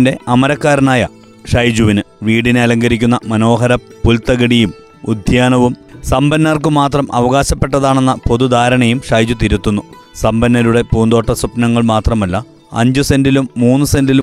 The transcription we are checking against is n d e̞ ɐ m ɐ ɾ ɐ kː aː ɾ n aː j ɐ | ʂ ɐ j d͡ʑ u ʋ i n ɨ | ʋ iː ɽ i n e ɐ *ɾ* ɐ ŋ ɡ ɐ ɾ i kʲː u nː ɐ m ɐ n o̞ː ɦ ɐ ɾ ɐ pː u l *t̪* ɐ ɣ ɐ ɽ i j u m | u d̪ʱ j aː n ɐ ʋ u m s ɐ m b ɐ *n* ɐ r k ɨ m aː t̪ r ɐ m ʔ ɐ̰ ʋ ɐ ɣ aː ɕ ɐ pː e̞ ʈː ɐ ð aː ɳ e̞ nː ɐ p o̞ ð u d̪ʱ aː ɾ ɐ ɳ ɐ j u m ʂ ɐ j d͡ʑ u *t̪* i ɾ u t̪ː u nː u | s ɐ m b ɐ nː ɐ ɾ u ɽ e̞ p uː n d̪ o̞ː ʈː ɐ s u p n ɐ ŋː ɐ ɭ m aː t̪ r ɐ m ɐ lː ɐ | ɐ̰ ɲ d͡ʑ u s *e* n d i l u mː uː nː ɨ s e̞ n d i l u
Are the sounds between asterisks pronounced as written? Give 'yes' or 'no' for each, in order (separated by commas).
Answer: no, yes, no, yes, yes